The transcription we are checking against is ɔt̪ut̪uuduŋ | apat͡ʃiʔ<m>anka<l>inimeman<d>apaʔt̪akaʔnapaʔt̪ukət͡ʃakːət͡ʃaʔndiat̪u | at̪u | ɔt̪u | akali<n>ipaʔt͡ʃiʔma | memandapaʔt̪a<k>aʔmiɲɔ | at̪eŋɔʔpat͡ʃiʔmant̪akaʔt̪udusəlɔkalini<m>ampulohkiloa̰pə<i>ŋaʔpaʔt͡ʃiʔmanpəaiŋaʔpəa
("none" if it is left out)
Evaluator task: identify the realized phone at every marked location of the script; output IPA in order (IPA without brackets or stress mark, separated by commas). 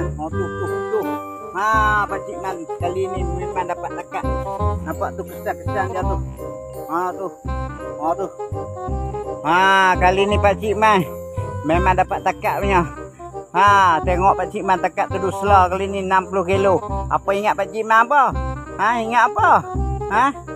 m, l, d, n, k, n, i